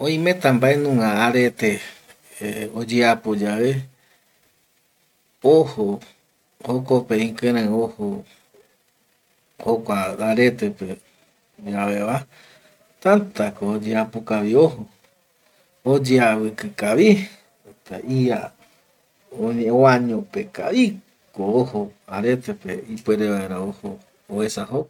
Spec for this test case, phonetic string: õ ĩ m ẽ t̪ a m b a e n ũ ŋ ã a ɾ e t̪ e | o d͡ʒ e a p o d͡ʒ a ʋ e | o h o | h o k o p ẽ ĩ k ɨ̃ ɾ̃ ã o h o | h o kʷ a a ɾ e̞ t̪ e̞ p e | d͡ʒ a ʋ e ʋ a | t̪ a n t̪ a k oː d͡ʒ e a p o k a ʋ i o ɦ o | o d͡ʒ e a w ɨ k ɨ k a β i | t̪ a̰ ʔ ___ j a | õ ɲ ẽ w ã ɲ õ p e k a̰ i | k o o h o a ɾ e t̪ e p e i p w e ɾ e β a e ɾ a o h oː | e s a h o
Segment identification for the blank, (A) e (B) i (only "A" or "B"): B